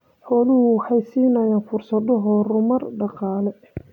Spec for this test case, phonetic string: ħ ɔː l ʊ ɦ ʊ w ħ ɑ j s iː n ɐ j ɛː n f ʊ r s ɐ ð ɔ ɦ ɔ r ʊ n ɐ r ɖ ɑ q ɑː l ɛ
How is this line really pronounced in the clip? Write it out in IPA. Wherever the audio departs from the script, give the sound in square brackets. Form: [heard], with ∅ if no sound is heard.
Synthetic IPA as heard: ħ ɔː l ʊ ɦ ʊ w ħ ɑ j s iː n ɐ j [aː] n f ʊ r s ɐ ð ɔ ɦ ɔ r ʊ [m] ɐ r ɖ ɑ q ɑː l ɛ